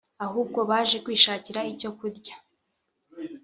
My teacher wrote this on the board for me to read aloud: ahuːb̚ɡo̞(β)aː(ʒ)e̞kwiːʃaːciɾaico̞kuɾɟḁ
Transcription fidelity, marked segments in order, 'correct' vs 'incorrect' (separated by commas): correct, correct